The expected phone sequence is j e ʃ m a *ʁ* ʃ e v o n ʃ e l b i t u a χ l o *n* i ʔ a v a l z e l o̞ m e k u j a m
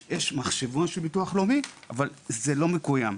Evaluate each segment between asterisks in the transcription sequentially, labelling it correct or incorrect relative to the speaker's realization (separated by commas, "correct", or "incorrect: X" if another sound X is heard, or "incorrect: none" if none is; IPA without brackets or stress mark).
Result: incorrect: χ, incorrect: m